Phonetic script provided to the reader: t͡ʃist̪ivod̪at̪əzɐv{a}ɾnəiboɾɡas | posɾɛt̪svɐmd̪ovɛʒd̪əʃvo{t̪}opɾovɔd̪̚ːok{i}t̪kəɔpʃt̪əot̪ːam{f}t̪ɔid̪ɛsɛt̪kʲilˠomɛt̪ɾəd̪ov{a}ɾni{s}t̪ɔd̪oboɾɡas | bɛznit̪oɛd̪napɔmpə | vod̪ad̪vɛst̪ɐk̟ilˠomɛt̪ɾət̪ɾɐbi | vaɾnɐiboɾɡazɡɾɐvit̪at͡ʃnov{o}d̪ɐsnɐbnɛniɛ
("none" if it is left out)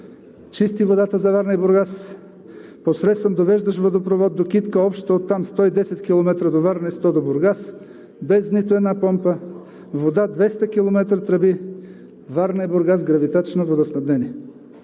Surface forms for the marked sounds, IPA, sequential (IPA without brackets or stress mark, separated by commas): a, d̪, i, s, a, s, o